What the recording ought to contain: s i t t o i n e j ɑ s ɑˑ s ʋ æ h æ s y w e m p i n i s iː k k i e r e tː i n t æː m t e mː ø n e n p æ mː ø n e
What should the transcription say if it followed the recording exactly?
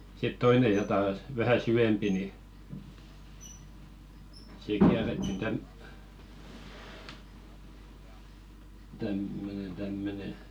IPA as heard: s i t t o i n e j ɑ t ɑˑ s ʋ æ h æ s y w e m p i n i s iː k k i æ r e tː i n t æ m t æ mː ø n e n t æ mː ø n e

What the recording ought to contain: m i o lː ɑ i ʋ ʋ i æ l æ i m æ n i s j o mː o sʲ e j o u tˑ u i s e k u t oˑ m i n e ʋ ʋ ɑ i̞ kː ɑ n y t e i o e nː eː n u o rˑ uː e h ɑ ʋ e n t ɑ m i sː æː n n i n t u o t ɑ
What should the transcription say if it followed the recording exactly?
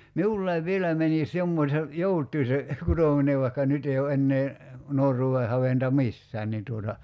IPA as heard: m i u lː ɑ i ʋ ʋ i e l æ i m æ n i s j o mː o sʲ e j o u tˑ u i s e k u t oˑ m i n e ʋ ʋ ɑ i̞ kː ɑ n y t e i o e nː eː n u o rˑ uː e h ɑ ʋ e n t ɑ m i sː æː n n i n t u o t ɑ

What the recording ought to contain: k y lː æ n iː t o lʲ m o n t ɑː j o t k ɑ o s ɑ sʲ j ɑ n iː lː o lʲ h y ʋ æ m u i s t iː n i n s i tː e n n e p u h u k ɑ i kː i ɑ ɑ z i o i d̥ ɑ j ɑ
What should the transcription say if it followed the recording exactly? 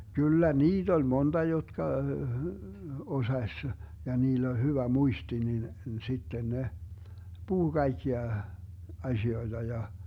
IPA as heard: k y lː æ n iː t o lʲ m o n t ɑ j o t k ɑ o s ɑ sʲ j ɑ n iː lː o lʲ h y ʋ æ m u i s t i n i n s i tː e n n e p u h u k ɑ i kː i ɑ ɑ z i o i d̥ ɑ j ɑ

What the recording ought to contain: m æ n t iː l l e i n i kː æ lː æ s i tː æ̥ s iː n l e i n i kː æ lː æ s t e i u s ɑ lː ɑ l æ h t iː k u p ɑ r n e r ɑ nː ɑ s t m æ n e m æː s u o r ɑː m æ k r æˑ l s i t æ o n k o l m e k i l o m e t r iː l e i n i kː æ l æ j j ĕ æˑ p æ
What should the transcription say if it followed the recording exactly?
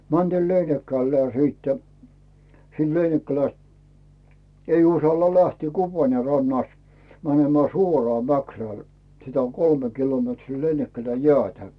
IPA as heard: m æ n t iː l l e i n i kː æ lː æː s iː tː æ̥ s iː n l e i n i kː æ l æ s t e i u s ɑ lː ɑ l æ h t iː k u p ɑ r n e r ɑ nː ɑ s t m æ n e m æː s u o r ɑː m æ k r æˑ l s i t æ o n k o l m e k i l o m e t r iː l e i n i kː æ l æ j j ĕ æˑ t æ

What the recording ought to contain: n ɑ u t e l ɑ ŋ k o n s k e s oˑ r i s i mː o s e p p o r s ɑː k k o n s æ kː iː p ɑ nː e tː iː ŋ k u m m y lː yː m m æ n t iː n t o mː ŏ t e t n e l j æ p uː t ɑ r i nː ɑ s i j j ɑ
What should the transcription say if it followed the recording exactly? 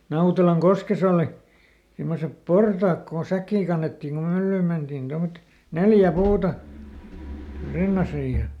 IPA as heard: n ɑ u t e l ɑ ŋ k o s k e s oˑ l i s i mː o s e p p o r t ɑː k k o n s æ kː iː k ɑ nː e tː iː ŋ k u m m y lː yː m m e n t iː n t o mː ŏ t e t n e l j æ p uː t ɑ r i nː ɑ s i j j ɑ

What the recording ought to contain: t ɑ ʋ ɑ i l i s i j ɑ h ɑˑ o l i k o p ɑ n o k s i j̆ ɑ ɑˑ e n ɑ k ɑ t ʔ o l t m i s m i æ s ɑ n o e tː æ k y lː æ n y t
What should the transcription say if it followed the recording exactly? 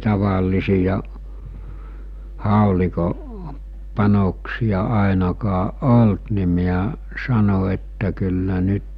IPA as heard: t ɑ ʋ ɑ i l i s i j ɑ h ɑˑ o l i k o p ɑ n o k s i j̆ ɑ ɑˑ e n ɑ k ɑ ʔ ʔ o l t n i m i æ s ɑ n o e tː æ k y lː æ n y t

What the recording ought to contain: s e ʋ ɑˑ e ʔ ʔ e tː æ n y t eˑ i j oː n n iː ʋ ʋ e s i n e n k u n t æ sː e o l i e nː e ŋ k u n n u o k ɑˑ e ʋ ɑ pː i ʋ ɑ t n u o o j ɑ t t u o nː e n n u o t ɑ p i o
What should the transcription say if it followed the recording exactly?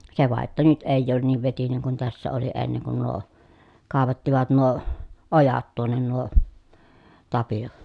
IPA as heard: s e ʋ ɑˑ e ʔ ʔ e tː æ n y t eˑ i j oː n n iː ʋ ʋ e t i n e ŋ k u n t æ sː æ o l i e nː e ŋ k u n n u o k ɑˑ e ʋ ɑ tː i ʋ ɑ t n u o o j ɑ t t u o nː e n n u o t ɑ p i o

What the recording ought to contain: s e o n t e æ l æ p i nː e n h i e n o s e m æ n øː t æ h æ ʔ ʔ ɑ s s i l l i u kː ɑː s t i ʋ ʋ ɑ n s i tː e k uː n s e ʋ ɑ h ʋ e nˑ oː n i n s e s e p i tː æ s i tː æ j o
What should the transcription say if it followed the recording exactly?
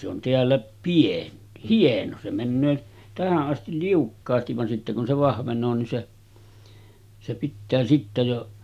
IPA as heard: s e o n t e æ lː æ p i e n h i e n o s e m æ nː øː t æ h æ ʔ ʔ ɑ s t i l l i u kː ɑː s t i ʋ ʋ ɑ n s i tː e k u n s e ʋ ɑ h ʋ e nˑ oː n i n s e s e p i tː æː s i tː æ j o

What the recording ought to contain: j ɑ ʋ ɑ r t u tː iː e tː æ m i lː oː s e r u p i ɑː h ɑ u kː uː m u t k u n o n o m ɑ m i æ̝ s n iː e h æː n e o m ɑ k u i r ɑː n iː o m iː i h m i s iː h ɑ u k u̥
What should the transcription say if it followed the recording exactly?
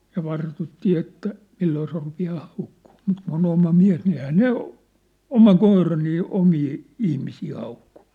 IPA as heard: j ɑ ʋ ɑ r t u tː iː e tː æ m i lː oː s e r u p i ɑː h ɑ u kː uː m u t k u n o n o m ɑ m i æ̝ s n i e h æː n e o m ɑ k o i r ɑ n iː o m iː i h m i s iː h ɑ u k u̥

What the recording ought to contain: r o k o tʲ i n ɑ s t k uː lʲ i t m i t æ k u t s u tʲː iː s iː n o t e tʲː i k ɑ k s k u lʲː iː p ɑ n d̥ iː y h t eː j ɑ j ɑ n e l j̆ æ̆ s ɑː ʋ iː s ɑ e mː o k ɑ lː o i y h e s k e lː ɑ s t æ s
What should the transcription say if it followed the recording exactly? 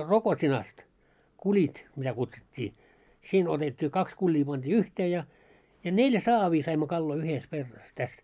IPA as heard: r o k o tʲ i n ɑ s t k u lʲ i t m i t æ k u t s u tʲː iː s iː n o t e tʲː iː k ɑ k s k u lʲː iː p ɑ n d̥ iː y h t eː j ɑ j ɑ n e l j̆ æ̆ s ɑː ʋ iː s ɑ i mː o k ɑ lː o i y h e s k e rː ɑ s t æ s

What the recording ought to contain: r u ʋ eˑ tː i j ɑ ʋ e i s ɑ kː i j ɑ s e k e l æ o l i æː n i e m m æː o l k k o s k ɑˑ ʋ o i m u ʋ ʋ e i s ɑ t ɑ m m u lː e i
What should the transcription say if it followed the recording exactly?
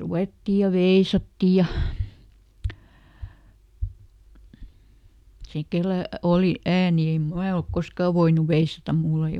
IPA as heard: r u ʋ eˑ tː i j ɑ ʋ e i s ɑ tː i j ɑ s e k e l æ o l i æː n i e m m æː o l k k o s k ɑˑ ʋ o i n u ʋ ʋ e i s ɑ t ɑ m m u lː e i

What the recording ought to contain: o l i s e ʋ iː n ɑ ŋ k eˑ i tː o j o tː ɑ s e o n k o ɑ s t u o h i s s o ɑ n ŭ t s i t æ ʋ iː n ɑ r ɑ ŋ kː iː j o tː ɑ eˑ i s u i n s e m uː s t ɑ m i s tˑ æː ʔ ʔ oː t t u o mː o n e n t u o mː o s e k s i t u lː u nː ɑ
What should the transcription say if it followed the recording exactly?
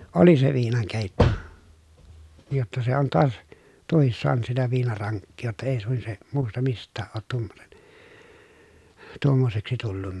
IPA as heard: o l i s e ʋ iː n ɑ ŋ k eˑ i tː o j o tː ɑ s e o n t o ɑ s t u o h i s s o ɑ n ŭ t s i t æ ʋ iː n ɑ r ɑ ŋ kː iː j o tː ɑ eˑ i s u i n s e m uː s t ɑ m i s tˑ æː ʔ ʔ oː t t u o mː o n e n t u o mː o s e k s i t u lː u nː ɑ

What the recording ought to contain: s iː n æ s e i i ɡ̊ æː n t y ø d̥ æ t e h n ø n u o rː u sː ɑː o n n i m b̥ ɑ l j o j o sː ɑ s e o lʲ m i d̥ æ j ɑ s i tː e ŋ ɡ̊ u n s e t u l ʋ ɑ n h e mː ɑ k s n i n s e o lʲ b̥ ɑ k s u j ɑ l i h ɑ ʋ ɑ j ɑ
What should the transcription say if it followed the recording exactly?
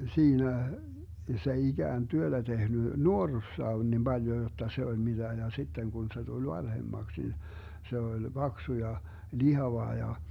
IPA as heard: s iː n æ s e i i ɡ̊ æː n t y ø d̥ æ t e h n y n u o rː u sː ɑː o n n i m b̥ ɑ l j o j o tː ɑ s e o lʲ m i d̥ æ j ɑ s i tː e ŋ ɡ̊ u n s e t u l ʋ ɑ n h e mː ɑ k s n i n s e o lʲ b̥ ɑ k s u j ɑ l i h ɑ ʋ ɑ j ɑ

